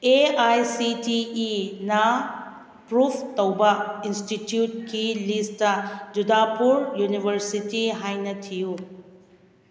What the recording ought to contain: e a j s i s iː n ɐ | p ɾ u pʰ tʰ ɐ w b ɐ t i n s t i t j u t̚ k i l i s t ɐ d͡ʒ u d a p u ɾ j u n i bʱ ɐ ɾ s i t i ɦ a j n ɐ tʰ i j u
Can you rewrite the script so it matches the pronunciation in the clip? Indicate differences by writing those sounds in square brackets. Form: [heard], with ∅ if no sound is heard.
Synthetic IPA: e a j s i [t] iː n ɐ | p ɾ u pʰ [t] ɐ w b ɐ [∅] i n s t i t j u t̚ k i l i s t ɐ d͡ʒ u d a p u ɾ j u n i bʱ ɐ ɾ s i t i ɦ a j n ɐ tʰ i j u